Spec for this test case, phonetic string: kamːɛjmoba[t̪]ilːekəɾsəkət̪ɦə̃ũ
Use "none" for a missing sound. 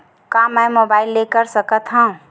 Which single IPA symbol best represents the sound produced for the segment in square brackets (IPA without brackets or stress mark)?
none